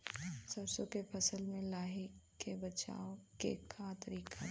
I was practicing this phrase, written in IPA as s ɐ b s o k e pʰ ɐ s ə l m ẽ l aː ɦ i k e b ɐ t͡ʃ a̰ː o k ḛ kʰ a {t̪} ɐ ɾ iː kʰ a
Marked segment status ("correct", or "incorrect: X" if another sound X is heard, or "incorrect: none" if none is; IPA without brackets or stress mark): correct